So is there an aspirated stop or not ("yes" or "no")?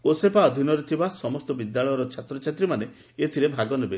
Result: yes